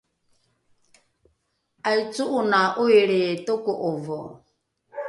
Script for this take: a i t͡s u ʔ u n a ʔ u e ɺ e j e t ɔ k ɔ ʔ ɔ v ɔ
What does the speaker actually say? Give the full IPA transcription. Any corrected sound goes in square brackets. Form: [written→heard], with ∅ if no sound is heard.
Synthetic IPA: a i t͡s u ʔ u n a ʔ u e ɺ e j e t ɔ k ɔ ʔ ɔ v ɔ